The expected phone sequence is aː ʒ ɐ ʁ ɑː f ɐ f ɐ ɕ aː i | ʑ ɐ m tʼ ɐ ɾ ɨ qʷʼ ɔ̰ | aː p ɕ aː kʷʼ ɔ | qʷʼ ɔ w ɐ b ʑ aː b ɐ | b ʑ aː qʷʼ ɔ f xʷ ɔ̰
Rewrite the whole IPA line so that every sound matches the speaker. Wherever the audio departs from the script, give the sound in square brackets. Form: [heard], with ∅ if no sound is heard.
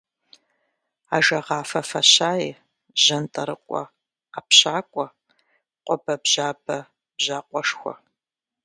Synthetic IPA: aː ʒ ɐ ʁ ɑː f ɐ f ɐ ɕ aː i | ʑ ɐ [n] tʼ ɐ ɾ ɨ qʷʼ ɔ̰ | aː p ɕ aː kʷʼ ɔ | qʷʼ ɔ [b] ɐ b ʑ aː b ɐ | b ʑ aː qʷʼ ɔ [ʂ] xʷ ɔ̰